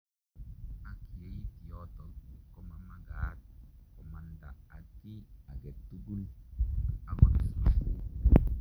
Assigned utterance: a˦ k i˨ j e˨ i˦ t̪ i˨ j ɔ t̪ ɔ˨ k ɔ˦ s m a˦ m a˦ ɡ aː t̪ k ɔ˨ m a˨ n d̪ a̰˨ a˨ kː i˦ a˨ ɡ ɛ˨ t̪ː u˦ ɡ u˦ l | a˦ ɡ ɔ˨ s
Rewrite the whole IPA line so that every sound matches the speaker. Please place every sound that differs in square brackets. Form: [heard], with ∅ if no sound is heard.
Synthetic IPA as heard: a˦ k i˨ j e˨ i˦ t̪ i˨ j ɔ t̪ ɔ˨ k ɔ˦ [∅] m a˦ m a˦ ɡ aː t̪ k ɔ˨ m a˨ n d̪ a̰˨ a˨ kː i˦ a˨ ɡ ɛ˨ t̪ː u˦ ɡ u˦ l | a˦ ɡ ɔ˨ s